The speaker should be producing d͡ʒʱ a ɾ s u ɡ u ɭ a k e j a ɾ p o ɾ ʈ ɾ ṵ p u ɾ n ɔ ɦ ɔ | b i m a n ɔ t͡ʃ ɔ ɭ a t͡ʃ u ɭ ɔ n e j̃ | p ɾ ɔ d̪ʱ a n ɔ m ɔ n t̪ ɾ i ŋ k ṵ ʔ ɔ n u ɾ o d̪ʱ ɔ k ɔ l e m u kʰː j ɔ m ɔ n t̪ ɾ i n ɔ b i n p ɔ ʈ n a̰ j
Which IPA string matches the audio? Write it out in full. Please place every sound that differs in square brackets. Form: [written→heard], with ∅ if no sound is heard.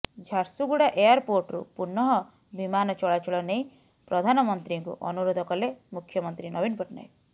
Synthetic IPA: d͡ʒʱ a ɾ s u ɡ u [ɭ→ɽ] a [k→ʔ] e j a ɾ p o ɾ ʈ ɾ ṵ p u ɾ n ɔ ɦ ɔ | b i m a n ɔ t͡ʃ ɔ ɭ a t͡ʃ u ɭ ɔ n e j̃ | p ɾ ɔ d̪ʱ a n ɔ m ɔ n t̪ ɾ i ŋ k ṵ ʔ ɔ n u ɾ o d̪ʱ ɔ k ɔ l e m u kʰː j ɔ m ɔ n t̪ ɾ i n ɔ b i n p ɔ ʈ n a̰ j